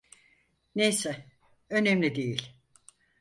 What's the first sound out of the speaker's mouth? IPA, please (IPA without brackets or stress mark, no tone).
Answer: n